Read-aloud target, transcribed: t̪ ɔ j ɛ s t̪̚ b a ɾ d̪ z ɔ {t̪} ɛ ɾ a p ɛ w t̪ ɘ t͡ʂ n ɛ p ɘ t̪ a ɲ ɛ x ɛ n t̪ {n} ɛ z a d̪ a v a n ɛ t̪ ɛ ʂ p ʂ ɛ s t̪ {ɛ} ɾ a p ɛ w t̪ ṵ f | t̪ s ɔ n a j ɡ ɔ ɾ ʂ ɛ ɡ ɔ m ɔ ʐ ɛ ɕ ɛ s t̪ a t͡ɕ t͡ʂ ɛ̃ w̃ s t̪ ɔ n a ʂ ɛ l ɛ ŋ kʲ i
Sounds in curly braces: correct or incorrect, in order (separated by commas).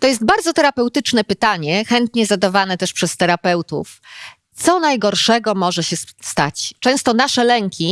correct, incorrect, correct